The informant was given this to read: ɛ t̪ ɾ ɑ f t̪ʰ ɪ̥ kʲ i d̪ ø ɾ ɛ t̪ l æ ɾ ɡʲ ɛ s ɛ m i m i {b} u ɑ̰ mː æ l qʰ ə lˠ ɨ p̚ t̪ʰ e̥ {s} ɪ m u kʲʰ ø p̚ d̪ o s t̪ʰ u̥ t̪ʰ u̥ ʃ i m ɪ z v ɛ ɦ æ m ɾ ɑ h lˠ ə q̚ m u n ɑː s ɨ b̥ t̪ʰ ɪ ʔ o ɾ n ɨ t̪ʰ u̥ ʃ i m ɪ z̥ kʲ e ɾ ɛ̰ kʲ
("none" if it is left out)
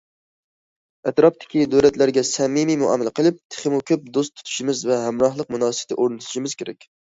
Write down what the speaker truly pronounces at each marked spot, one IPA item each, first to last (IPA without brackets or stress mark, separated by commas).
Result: m, χ